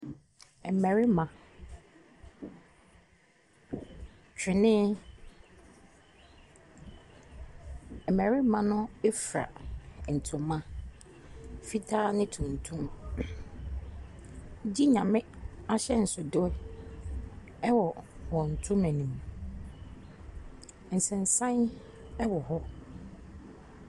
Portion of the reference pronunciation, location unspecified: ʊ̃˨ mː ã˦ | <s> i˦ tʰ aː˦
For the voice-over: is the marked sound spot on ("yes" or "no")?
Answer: no